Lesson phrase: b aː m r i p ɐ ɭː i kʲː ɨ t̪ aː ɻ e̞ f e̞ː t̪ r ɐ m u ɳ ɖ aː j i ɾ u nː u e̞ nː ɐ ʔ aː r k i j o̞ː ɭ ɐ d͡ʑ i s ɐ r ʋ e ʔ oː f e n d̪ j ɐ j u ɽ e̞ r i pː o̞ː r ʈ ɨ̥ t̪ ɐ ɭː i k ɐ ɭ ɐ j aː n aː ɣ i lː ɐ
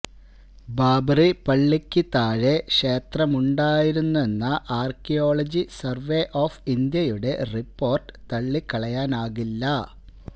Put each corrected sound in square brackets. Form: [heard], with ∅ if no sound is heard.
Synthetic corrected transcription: b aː [b] r i p ɐ ɭː i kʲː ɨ t̪ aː ɻ e̞ [ʂ] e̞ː t̪ r ɐ m u ɳ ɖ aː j i ɾ u nː u e̞ nː ɐ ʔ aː r k i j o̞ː ɭ ɐ d͡ʑ i s ɐ r ʋ e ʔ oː f [i] n d̪ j ɐ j u ɽ e̞ r i pː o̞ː r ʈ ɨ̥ t̪ ɐ ɭː i k ɐ ɭ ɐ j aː n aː ɣ i lː ɐ